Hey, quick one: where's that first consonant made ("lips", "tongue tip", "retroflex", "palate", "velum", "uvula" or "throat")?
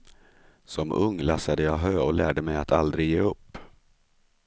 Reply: tongue tip